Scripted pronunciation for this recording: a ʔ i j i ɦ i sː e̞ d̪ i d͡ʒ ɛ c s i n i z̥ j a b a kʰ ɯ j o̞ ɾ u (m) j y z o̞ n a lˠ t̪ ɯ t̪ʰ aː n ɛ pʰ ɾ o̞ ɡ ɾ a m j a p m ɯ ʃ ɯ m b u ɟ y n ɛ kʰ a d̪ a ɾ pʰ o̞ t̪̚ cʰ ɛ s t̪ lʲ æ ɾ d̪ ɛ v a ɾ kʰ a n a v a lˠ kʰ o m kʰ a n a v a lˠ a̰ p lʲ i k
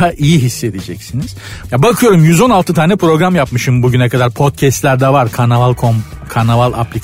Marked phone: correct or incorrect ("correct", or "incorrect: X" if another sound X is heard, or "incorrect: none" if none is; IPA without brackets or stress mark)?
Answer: correct